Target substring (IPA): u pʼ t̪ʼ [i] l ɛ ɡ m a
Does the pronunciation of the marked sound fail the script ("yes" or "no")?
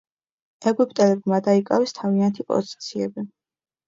yes